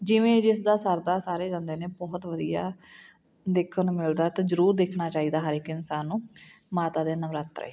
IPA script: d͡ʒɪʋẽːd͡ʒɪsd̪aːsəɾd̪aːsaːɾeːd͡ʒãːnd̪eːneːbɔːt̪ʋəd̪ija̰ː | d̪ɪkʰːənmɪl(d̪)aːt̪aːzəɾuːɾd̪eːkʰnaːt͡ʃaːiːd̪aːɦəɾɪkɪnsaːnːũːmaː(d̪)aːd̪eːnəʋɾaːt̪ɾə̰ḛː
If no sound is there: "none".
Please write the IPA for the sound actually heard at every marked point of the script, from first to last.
d̪, t̪

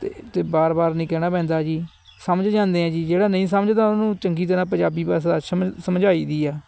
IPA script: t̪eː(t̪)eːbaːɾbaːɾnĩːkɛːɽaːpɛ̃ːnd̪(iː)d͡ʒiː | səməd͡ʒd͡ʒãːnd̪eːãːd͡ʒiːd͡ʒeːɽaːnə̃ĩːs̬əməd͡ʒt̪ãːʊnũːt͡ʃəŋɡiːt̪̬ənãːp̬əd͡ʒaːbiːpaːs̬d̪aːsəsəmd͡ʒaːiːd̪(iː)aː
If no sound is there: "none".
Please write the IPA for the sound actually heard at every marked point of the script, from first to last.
t̪, aː, iː

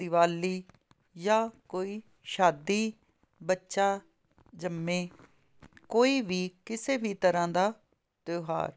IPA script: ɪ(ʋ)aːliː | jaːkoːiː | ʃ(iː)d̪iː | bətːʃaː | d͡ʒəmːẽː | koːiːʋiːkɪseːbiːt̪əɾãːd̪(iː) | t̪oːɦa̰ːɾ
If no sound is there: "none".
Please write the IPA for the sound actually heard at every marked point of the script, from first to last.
ʋ, aː, aː

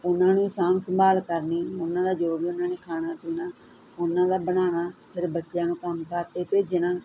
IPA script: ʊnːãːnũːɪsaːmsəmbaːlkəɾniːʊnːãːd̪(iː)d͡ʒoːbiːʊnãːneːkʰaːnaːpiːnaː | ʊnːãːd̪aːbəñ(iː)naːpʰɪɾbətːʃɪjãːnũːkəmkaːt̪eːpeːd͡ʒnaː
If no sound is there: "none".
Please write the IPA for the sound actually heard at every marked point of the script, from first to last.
aː, aː

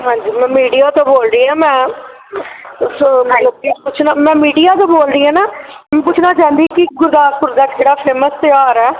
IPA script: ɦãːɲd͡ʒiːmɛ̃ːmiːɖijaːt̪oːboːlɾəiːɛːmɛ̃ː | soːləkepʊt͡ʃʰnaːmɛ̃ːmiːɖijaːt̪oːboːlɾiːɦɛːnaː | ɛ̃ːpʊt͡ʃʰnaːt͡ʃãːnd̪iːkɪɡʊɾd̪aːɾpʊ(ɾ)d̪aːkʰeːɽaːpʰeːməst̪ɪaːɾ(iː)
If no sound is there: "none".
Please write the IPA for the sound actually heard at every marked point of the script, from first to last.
ɾ, ɛː

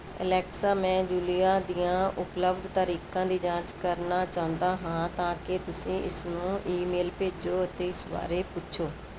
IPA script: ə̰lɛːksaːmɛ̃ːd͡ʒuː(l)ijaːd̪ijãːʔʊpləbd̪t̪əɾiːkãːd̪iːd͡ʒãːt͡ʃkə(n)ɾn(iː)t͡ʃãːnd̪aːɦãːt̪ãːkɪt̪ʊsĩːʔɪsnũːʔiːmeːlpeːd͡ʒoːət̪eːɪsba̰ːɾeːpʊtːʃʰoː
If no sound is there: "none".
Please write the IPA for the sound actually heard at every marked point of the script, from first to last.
l, none, aː

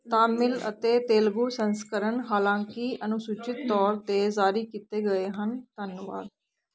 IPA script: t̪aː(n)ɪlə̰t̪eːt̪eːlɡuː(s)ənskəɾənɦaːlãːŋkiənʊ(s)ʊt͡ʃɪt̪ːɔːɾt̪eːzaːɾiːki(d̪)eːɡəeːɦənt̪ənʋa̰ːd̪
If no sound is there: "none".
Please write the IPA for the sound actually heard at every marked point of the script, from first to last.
m, s, s, t̪

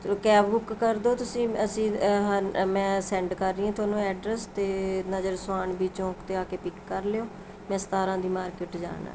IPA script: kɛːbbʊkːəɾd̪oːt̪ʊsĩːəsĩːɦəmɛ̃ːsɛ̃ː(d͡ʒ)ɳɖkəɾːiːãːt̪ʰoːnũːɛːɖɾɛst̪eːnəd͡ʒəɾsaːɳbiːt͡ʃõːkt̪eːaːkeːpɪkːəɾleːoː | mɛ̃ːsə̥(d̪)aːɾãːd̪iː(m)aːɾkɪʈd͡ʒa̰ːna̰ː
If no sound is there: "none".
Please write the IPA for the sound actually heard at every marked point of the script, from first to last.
none, t̪, m

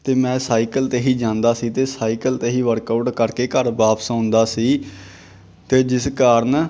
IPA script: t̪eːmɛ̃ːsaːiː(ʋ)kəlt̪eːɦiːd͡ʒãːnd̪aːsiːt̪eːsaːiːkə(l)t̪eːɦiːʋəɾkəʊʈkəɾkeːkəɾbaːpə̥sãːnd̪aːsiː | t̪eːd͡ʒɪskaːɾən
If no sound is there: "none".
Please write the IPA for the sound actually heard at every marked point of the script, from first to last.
none, l

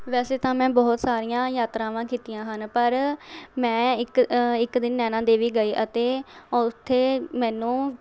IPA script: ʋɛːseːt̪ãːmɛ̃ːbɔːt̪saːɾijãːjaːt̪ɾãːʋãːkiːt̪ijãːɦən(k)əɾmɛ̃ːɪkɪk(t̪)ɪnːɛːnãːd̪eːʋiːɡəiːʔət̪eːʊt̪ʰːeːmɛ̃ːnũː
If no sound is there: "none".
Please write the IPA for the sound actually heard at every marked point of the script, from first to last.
p, d̪

